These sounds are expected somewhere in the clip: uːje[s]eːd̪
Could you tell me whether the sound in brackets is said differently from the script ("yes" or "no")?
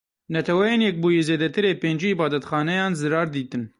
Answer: yes